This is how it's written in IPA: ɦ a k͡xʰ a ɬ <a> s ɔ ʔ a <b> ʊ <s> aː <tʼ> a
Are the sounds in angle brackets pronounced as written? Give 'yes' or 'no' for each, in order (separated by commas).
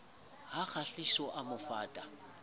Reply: no, no, no, yes